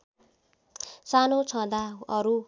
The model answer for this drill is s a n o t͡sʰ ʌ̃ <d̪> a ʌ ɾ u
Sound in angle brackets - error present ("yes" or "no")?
no